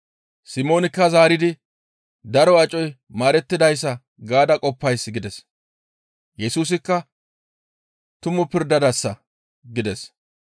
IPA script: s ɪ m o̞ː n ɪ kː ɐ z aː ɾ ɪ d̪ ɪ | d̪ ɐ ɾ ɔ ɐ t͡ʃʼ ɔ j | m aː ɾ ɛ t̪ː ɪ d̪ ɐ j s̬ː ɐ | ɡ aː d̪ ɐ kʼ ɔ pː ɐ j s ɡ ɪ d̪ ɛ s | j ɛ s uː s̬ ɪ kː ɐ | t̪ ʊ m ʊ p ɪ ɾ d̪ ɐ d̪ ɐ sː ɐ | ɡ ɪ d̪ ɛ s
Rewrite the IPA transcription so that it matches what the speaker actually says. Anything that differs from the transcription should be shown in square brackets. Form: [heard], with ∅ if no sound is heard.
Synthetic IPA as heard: s ɪ m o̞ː n ɪ kː ɐ z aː ɾ ɪ d̪ ɪ | d̪ ɐ ɾ ɔ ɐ t͡ʃʼ ɔ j | m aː ɾ ɛ t̪ː ɪ d̪ ɐ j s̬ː ɐ | ɡ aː d̪ ɐ kʼ ɔ pː ɐ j s ɡ ɪ d̪ ɛ s | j ɛ s uː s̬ ɪ kː ɐ | t̪ ʊ m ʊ p ɪ ɾ d̪ ɐ d̪ ɐ sː ɐ | ɡ ɪ d̪ ɛ s